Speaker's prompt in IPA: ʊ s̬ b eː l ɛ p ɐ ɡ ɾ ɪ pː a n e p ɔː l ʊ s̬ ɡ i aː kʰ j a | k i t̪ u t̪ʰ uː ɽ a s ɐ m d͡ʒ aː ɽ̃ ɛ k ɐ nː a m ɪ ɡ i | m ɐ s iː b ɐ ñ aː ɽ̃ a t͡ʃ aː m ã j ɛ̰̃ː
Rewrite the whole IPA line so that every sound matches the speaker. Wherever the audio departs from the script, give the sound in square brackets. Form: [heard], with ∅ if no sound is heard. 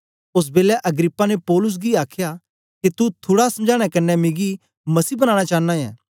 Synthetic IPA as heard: ʊ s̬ b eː l ɛ [ʔ] ɐ ɡ ɾ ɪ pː a n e p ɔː l ʊ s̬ ɡ i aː kʰ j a | k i t̪ u t̪ʰ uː ɽ a s ɐ m d͡ʒ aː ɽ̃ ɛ k ɐ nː [ɛ] m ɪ ɡ i | m ɐ s iː b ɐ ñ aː ɽ̃ a t͡ʃ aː [n] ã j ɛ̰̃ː

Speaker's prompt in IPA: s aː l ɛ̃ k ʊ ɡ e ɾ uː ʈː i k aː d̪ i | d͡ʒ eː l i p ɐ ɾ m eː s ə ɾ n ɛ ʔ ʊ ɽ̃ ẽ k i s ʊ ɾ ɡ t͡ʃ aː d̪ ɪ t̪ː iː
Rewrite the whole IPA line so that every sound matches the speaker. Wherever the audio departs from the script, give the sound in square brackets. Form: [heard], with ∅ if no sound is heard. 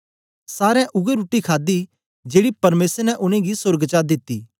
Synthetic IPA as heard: s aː [ɾ] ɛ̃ [ʔ] ʊ ɡ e ɾ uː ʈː i [kʰ] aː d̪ i | d͡ʒ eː [ɽ] i p ɐ ɾ m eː s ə ɾ n ɛ ʔ ʊ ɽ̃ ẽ [ɡ] i s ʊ ɾ ɡ t͡ʃ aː d̪ ɪ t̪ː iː

